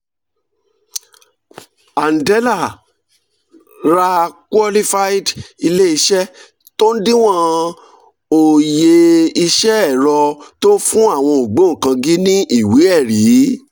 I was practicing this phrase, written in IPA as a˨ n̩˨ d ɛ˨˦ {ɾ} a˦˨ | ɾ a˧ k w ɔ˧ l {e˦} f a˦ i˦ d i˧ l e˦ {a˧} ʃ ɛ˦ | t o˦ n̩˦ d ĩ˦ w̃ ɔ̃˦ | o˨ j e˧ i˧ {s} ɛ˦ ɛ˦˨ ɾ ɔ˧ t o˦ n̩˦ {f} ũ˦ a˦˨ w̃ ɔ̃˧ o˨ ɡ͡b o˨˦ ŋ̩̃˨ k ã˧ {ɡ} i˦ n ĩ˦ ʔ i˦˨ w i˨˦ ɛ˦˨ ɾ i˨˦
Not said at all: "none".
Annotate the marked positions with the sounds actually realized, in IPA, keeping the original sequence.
l, i˦, i˧, ʃ, f, ɡ

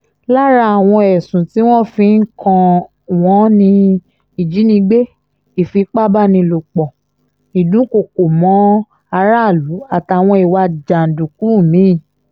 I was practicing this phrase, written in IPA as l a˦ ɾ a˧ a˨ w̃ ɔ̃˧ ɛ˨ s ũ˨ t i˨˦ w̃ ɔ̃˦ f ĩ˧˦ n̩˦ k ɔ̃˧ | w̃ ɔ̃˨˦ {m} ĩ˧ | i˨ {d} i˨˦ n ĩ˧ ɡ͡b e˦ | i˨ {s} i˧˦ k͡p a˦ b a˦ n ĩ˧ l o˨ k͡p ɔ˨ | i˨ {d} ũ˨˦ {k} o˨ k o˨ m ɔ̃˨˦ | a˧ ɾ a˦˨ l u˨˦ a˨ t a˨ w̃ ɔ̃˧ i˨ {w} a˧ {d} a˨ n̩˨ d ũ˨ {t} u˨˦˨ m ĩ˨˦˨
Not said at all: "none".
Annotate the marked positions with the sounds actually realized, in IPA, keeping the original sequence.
n, d͡ʒ, f, d, k, w, d͡ʒ, k

